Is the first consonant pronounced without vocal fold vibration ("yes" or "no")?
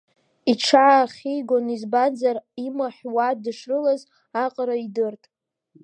yes